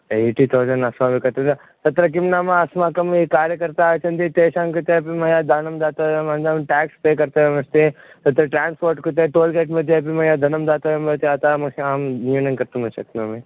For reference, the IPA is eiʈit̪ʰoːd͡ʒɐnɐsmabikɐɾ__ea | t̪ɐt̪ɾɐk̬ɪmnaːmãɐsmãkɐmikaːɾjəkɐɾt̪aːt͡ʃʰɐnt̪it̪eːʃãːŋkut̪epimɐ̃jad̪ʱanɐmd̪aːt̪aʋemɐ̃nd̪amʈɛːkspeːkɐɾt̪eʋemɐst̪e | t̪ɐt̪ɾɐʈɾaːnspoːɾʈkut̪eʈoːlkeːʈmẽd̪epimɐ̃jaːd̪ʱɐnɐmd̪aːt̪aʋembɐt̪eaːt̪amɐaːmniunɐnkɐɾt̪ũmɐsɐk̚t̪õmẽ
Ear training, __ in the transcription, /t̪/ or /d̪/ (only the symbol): t̪